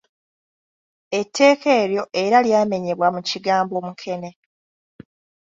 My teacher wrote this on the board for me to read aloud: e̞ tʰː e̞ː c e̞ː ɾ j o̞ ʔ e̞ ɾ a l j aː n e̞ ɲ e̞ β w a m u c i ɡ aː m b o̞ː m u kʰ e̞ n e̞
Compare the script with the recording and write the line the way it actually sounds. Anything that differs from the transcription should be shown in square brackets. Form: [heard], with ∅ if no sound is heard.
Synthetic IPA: e̞ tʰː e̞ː [k] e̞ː ɾ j o̞ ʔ e̞ ɾ a l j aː [m] e̞ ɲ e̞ β w a m u c i ɡ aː m b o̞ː m u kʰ e̞ n e̞